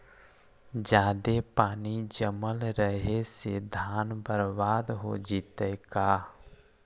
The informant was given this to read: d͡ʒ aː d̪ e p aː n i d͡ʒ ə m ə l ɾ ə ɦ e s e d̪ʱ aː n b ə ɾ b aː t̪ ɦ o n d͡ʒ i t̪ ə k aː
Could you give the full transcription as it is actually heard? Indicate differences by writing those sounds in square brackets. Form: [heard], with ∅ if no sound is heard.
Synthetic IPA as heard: d͡ʒ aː d̪ e p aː n i d͡ʒ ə m ə l ɾ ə ɦ e s e d̪ʱ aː n b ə ɾ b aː [d̪] ɦ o [∅] d͡ʒ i t̪ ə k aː